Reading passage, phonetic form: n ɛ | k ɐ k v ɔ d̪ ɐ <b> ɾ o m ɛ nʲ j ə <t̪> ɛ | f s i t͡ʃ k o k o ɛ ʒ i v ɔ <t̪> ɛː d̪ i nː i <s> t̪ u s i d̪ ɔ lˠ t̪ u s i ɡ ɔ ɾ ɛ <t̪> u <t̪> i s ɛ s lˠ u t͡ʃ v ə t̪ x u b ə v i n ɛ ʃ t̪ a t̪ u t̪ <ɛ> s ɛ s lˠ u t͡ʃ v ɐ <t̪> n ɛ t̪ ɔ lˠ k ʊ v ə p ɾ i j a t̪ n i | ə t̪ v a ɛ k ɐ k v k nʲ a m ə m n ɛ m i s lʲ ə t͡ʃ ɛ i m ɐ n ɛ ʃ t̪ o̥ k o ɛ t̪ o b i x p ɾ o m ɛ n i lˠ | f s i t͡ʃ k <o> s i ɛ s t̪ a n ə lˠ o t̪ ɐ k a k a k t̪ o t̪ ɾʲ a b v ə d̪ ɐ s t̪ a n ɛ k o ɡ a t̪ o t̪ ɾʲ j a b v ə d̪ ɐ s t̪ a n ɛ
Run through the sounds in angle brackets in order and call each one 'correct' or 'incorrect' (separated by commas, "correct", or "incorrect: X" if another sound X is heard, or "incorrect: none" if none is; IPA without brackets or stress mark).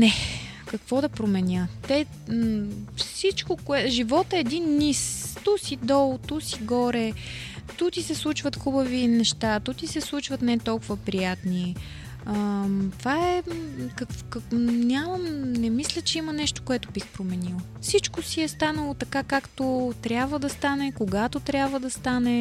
incorrect: p, correct, correct, correct, correct, correct, incorrect: i, correct, correct